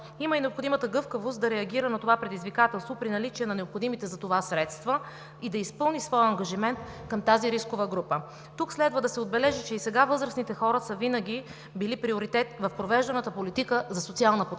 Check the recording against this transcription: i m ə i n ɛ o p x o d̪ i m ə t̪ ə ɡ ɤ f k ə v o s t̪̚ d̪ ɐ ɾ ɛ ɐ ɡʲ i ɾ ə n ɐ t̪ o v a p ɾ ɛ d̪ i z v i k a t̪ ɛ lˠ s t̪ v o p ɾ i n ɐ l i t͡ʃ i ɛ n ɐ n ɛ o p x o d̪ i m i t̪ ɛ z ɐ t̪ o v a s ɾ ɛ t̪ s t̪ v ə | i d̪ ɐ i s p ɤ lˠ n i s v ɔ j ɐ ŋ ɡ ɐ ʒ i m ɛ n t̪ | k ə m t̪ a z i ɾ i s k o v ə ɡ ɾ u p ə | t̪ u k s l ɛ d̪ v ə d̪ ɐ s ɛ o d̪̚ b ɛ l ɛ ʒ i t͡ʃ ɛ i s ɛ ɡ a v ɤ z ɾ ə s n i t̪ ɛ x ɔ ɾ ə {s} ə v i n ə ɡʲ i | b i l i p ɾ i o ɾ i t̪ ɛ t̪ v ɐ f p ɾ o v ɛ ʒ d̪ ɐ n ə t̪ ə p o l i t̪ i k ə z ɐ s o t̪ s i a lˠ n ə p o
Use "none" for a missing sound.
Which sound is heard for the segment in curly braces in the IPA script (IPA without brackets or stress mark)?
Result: s